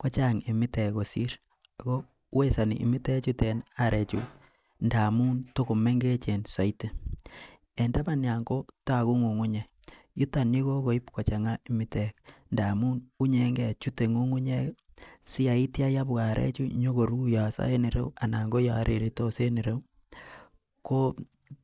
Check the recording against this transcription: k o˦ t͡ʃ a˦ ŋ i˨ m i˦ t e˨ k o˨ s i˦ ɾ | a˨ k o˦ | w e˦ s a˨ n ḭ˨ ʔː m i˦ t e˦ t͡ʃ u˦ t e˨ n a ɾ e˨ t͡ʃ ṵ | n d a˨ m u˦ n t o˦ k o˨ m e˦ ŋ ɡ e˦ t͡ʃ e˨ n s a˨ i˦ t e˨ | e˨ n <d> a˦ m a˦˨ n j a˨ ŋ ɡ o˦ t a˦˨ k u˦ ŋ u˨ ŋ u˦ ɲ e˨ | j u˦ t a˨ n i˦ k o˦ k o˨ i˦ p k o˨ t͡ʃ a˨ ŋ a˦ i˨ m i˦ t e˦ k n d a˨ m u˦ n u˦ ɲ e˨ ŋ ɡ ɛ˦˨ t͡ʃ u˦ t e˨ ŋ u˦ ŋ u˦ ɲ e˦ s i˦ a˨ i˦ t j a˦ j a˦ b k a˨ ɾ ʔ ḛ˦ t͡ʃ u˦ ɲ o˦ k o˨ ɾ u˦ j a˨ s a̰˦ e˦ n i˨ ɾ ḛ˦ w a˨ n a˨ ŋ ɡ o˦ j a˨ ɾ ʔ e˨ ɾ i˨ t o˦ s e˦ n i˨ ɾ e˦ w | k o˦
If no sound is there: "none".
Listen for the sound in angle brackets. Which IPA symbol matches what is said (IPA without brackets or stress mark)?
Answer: d